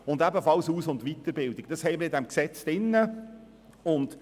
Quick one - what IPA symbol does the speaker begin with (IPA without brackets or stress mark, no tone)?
ʊ